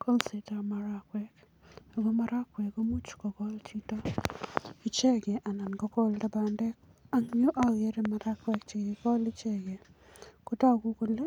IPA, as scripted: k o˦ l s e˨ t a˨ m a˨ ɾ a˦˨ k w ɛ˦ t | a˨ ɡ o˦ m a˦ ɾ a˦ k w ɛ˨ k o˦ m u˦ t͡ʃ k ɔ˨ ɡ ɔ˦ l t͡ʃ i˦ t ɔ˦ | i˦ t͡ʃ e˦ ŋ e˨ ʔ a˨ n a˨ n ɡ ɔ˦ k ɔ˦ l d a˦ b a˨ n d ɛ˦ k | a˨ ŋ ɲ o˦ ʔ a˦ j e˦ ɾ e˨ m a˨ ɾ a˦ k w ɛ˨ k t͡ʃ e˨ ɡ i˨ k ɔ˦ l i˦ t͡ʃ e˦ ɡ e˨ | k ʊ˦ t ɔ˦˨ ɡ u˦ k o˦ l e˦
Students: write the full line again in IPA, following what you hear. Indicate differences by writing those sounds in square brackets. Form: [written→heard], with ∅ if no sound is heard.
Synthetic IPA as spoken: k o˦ l s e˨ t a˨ m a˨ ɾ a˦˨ k w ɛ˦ [t→k] | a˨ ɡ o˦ m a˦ ɾ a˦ k w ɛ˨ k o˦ m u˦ t͡ʃ k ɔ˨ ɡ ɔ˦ l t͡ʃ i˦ t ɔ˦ | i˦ t͡ʃ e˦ [ŋ→ɡ] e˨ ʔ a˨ n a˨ n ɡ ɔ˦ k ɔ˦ l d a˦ b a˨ n d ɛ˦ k | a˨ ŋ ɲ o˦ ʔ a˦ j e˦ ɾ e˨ m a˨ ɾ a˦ k w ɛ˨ k t͡ʃ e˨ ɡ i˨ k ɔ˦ l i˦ t͡ʃ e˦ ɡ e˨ | k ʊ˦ t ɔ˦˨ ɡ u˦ k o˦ l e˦